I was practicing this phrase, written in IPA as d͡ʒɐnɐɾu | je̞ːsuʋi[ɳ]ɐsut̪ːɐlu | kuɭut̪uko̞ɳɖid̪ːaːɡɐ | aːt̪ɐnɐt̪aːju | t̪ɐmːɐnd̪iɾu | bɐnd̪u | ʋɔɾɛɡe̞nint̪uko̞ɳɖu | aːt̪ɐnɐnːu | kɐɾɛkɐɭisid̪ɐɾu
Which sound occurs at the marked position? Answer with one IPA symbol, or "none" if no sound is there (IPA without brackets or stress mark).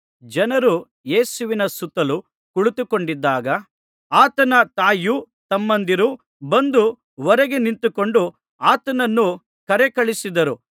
n